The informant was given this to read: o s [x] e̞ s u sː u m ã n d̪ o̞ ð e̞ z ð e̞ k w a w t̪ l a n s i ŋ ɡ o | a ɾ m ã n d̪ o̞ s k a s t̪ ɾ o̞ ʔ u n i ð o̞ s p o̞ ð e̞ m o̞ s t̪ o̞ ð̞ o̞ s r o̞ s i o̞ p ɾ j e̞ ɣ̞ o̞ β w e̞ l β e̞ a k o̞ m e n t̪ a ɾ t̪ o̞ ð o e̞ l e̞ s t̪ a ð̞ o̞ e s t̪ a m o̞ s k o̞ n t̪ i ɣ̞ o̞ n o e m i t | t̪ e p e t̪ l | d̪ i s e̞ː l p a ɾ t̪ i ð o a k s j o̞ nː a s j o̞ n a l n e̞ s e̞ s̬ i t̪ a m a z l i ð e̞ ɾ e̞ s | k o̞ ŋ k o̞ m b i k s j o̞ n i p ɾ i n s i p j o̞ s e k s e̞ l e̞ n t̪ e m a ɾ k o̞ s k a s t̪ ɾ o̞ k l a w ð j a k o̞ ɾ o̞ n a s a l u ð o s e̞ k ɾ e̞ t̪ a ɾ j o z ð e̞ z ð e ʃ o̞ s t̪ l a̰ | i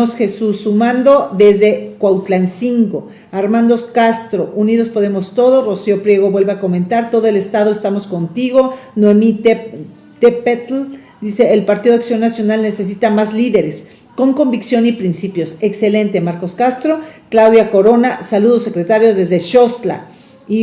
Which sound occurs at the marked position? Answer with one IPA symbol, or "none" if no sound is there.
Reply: x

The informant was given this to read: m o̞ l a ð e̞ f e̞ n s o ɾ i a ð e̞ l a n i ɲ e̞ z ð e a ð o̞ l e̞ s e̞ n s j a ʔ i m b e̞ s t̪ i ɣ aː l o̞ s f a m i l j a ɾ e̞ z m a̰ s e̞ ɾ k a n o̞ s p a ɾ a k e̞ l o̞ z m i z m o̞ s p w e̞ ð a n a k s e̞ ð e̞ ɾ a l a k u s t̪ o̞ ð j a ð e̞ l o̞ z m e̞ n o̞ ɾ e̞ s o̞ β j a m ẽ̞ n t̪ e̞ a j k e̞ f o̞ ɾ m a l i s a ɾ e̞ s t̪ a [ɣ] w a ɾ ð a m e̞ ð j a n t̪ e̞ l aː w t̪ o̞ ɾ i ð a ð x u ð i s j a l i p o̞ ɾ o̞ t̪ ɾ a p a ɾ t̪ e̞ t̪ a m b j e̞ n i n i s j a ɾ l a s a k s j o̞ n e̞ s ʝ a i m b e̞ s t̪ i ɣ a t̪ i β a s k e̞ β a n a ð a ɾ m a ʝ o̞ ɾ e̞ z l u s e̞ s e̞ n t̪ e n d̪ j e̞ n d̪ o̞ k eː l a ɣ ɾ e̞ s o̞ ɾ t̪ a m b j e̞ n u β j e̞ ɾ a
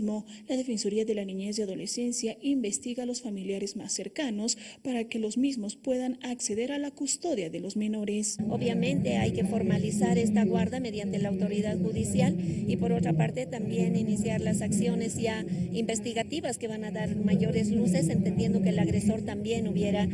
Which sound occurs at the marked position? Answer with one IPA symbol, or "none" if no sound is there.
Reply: ɣ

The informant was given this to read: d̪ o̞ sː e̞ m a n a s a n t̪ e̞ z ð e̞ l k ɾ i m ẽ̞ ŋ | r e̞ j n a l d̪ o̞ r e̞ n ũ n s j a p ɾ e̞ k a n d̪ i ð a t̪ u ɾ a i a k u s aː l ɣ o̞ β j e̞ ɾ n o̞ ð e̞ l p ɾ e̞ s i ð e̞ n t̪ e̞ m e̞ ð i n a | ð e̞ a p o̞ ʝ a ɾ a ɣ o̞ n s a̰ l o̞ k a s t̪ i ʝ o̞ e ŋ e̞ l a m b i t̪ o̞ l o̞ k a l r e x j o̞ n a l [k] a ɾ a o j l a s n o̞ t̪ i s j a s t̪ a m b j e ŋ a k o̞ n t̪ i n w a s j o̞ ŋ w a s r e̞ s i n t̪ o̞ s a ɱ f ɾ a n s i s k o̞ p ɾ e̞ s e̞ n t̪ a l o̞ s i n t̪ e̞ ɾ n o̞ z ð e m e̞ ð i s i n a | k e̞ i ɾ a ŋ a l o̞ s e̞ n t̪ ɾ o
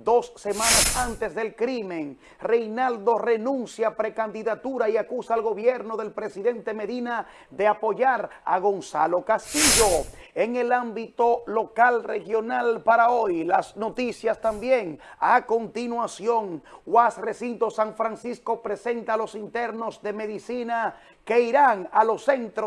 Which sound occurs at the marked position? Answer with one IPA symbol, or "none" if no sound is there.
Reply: p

